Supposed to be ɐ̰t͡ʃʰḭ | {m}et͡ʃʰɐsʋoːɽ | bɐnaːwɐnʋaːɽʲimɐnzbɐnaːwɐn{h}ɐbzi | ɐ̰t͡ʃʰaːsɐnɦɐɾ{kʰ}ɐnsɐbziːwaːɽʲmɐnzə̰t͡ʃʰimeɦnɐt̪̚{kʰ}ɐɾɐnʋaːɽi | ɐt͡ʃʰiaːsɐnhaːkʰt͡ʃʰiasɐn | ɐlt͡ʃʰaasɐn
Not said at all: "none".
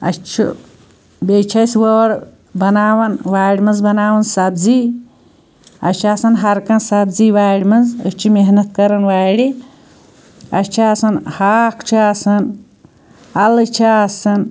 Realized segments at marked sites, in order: b, s, k, k

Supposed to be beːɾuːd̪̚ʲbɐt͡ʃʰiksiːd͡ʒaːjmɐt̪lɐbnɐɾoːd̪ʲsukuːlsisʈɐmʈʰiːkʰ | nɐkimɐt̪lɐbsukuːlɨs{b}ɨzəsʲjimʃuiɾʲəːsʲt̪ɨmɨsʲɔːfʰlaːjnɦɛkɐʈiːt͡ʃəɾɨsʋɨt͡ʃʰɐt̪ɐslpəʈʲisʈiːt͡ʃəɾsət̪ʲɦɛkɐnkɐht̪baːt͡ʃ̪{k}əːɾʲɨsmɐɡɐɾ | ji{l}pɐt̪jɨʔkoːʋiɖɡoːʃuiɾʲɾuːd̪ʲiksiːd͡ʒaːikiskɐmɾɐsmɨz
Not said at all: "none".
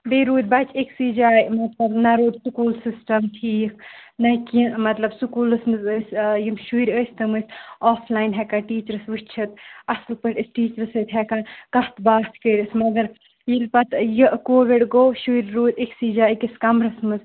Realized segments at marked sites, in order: m, k, l

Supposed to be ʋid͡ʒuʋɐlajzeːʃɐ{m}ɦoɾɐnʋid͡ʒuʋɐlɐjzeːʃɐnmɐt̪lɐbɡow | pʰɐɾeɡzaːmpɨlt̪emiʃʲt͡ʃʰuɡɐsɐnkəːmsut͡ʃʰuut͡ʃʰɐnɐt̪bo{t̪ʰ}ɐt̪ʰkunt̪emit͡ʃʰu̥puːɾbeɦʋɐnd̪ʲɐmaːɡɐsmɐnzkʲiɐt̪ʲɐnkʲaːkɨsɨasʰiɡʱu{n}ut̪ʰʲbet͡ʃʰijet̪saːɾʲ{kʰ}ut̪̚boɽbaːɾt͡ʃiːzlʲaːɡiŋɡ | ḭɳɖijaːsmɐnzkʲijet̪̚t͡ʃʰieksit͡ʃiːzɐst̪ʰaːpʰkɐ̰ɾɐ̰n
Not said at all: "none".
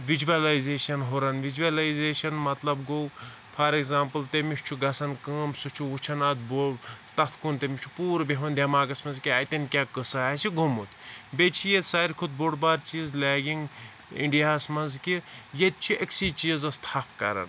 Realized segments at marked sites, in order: n, t̪, m, kʰ

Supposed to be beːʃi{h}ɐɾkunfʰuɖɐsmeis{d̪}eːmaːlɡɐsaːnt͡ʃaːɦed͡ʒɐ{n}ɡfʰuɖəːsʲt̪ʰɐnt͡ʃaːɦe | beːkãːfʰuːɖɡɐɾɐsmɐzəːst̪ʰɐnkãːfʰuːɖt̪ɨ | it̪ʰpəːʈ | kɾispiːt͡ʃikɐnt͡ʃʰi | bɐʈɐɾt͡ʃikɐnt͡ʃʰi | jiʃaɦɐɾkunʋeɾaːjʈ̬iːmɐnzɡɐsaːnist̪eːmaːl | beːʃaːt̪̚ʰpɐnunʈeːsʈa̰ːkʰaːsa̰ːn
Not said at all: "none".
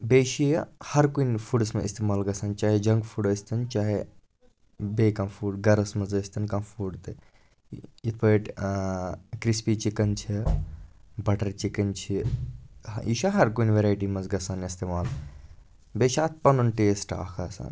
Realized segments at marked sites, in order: h, t̪, ŋ

